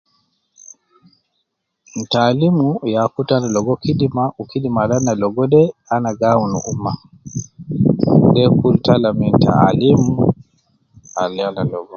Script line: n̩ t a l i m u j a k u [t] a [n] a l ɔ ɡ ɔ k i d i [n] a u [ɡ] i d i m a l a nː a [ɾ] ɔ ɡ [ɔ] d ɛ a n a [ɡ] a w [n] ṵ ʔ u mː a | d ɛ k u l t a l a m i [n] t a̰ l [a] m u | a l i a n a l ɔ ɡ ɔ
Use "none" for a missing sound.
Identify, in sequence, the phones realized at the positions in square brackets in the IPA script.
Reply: t, n, m, k, l, ɔ, ɡ, n, n, i

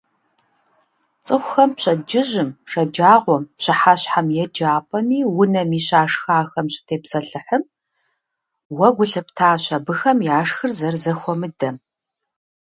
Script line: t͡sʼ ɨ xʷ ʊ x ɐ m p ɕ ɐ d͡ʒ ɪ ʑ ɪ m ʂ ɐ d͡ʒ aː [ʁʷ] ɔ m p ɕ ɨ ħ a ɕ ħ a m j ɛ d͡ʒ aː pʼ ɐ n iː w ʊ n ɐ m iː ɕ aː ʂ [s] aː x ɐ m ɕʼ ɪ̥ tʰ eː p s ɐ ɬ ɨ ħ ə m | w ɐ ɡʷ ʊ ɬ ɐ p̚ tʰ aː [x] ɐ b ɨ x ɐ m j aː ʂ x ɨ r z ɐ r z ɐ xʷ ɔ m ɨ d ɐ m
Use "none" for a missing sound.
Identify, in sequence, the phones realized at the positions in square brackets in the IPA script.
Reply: ʁʷ, x, ɕ

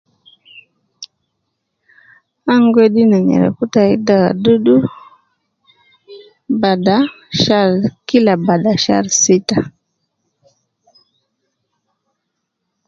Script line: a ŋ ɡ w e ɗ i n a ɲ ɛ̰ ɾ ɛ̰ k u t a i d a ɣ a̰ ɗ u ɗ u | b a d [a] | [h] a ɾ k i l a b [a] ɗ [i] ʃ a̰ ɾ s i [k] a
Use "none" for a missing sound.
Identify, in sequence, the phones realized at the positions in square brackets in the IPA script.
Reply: a, ʃ, a, a, t

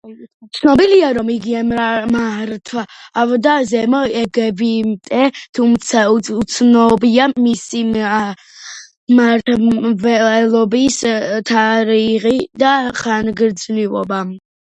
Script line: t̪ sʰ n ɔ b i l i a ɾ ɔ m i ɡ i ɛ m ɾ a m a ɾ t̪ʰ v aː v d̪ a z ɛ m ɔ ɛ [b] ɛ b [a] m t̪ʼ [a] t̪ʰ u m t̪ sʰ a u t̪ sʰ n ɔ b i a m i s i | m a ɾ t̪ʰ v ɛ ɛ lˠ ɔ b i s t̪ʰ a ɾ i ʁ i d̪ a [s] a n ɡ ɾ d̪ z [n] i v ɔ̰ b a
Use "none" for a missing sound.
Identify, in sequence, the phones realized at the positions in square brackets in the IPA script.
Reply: ɡ, i, ɛ, χ, n

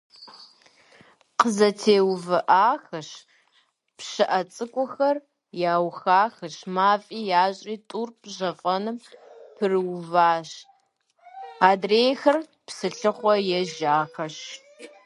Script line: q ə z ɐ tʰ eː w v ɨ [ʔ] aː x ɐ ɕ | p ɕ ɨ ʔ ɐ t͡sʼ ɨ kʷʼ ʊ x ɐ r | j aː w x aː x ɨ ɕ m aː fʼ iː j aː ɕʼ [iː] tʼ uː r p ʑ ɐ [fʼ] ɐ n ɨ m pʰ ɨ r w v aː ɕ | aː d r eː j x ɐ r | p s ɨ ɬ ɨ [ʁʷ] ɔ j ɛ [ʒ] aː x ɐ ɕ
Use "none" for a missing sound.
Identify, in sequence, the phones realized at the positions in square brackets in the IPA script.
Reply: ʔ, iː, fʼ, χʷ, ʒ

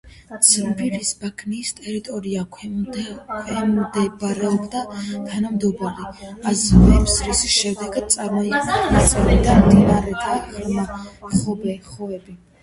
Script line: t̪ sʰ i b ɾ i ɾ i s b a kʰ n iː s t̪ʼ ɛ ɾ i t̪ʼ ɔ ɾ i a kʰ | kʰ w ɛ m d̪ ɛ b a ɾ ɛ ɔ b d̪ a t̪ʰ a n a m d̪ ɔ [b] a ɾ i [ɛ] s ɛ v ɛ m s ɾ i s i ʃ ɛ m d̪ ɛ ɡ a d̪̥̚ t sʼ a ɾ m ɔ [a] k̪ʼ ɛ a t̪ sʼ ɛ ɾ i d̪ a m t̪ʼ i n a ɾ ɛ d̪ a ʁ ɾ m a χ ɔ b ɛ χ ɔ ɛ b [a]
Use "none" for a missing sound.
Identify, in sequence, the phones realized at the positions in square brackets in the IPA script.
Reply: b, a, i, i

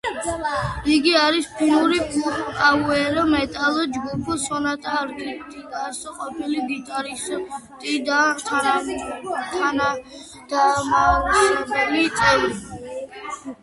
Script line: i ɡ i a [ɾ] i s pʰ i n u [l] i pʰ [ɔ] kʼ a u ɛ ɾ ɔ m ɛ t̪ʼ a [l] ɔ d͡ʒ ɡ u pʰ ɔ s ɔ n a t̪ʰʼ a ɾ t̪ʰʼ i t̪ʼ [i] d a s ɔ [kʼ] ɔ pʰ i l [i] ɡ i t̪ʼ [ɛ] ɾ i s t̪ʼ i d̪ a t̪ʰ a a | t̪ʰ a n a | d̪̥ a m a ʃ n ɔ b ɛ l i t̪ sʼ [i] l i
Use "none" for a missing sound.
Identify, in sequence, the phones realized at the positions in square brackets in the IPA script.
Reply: ɾ, ɾ, u, l, i, qʼ, i, a, ɛ

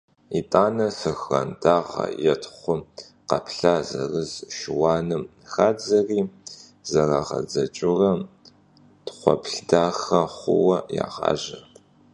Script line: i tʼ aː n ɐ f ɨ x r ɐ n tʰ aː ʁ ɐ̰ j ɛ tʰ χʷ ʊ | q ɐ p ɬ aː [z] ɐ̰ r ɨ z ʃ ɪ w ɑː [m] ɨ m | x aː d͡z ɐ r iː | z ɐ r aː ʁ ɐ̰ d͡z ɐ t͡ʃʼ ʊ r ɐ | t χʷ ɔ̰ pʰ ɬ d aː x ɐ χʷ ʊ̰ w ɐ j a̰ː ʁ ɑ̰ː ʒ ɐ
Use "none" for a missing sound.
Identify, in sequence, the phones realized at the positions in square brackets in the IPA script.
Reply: z, n

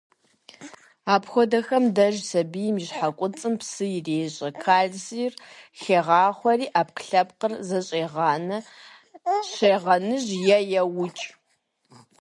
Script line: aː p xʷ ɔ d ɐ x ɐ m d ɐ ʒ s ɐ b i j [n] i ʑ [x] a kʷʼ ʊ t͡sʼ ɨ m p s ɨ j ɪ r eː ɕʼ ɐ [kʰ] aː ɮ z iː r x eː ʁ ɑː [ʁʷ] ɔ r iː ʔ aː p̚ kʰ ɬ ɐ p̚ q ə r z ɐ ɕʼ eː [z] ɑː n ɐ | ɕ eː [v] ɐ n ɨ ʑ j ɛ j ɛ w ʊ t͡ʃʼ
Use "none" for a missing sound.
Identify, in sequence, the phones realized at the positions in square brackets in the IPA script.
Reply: m, ħ, kʰ, χʷ, ʁ, ʁ

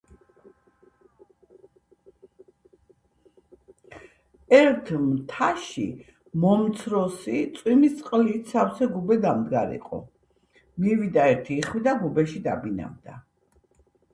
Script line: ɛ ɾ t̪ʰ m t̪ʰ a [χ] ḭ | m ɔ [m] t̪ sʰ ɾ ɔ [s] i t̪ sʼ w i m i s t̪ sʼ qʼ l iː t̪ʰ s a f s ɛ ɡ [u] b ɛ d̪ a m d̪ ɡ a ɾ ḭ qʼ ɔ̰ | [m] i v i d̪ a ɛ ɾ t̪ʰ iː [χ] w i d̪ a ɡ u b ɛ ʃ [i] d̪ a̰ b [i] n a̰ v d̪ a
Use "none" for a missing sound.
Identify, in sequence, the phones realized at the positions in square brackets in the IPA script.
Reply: ʃ, m, s, u, m, χ, i, i

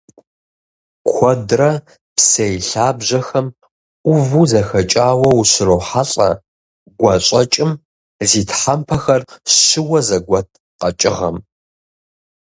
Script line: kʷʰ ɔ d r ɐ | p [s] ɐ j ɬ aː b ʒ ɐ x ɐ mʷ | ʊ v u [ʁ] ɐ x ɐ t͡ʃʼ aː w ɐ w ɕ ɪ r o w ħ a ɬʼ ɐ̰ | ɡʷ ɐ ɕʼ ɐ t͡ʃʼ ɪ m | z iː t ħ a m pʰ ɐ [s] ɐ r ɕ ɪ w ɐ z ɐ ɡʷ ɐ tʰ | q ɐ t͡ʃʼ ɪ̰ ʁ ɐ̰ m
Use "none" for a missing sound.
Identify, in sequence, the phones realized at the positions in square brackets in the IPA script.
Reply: s, z, x

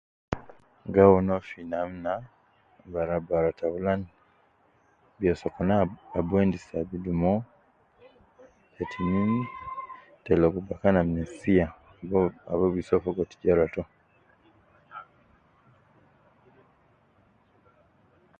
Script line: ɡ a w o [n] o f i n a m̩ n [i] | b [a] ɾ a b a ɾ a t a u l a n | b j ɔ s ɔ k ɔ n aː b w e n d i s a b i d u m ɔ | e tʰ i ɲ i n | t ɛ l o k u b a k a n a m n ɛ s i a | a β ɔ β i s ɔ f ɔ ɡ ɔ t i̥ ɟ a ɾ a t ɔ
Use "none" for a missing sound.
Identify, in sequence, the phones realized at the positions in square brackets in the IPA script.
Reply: n, a, a

